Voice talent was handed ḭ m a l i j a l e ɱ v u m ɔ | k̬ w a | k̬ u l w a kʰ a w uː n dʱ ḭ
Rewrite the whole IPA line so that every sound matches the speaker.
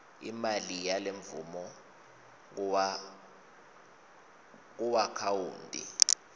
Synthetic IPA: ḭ m a l i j a l e ɱ v u m ɔ | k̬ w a | k̬ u w a kʰ a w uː n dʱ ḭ